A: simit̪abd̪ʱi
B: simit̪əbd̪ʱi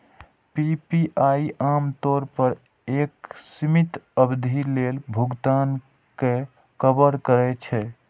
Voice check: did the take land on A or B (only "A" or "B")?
B